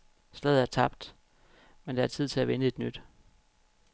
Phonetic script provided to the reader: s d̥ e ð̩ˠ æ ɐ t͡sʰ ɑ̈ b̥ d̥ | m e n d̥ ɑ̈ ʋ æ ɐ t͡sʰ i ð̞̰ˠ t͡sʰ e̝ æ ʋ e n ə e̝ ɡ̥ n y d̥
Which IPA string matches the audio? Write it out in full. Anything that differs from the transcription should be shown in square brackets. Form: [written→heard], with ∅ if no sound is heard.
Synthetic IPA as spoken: s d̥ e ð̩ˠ æ ɐ t͡sʰ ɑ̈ b̥ d̥ | m e n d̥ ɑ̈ [ʋ→∅] æ ɐ t͡sʰ i ð̞̰ˠ t͡sʰ e̝ æ ʋ e n ə e̝ [ɡ̥→d̥] n y d̥